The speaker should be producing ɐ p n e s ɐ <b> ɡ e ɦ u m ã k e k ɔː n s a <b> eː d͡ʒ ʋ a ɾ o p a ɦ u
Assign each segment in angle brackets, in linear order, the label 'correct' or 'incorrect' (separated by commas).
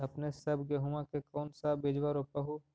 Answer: correct, correct